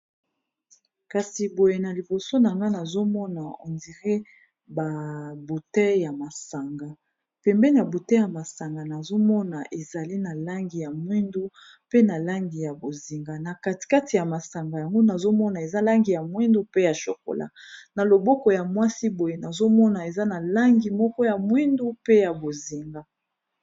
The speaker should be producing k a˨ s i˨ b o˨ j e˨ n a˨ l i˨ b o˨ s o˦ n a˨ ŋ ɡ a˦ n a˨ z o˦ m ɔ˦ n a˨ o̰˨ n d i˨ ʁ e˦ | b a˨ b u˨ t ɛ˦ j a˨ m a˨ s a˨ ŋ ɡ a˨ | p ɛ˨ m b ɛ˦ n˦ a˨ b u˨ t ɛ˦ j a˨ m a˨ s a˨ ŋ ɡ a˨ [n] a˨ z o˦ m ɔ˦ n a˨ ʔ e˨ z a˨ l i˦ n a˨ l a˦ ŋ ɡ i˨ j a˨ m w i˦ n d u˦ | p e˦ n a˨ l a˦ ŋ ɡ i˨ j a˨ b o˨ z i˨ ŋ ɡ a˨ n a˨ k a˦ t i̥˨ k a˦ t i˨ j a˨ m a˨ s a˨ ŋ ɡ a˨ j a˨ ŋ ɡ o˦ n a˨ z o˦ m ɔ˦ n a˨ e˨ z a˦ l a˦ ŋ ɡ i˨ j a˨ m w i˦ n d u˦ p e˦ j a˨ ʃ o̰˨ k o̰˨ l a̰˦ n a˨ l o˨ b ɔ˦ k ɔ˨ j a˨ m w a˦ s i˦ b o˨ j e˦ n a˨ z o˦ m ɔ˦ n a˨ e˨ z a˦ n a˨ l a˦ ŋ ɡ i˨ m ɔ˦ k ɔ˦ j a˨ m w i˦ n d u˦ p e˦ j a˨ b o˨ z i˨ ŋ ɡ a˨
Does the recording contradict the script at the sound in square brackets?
no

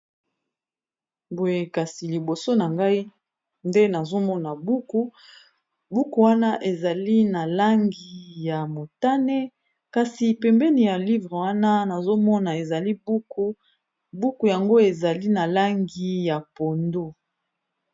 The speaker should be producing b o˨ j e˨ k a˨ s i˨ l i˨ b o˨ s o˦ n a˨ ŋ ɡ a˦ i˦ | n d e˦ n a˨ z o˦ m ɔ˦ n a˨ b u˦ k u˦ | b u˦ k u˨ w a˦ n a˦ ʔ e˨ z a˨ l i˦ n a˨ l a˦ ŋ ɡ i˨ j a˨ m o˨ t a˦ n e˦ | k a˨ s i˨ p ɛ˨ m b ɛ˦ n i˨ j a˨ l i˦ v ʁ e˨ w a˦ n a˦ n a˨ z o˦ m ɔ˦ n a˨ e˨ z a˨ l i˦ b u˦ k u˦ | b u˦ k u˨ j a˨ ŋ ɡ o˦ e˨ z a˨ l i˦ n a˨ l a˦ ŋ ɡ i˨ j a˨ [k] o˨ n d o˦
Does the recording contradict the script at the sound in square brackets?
yes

